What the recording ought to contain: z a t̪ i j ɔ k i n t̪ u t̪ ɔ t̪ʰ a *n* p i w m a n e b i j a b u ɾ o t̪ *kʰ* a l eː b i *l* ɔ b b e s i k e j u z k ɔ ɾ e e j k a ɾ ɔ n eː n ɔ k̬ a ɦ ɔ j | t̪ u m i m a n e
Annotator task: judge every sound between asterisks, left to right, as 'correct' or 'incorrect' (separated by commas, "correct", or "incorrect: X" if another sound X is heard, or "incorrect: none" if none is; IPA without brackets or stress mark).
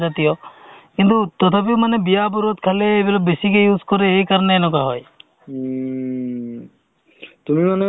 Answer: incorrect: none, correct, correct